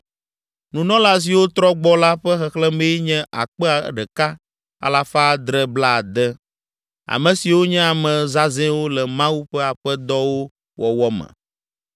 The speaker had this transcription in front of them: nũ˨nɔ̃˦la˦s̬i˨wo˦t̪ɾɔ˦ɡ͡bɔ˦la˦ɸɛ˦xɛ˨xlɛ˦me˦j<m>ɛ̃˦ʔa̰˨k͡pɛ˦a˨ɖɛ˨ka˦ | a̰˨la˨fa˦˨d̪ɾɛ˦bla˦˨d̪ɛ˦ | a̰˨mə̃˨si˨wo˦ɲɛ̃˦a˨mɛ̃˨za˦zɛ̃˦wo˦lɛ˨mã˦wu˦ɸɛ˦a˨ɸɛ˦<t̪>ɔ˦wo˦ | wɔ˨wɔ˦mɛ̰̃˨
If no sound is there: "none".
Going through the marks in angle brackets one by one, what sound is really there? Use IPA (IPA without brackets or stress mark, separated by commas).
ɲ, d̪